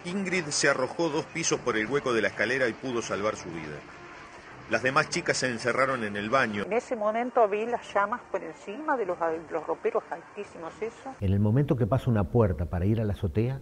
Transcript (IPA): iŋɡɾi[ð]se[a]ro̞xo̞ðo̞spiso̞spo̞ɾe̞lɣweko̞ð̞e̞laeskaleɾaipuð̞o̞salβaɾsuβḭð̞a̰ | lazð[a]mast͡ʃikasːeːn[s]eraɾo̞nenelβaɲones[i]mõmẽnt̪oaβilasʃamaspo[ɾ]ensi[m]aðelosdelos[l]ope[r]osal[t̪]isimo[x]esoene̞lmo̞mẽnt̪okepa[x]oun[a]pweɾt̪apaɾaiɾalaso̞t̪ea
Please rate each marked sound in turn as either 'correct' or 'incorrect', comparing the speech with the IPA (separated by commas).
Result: correct, correct, incorrect, correct, incorrect, correct, correct, incorrect, incorrect, correct, incorrect, incorrect, correct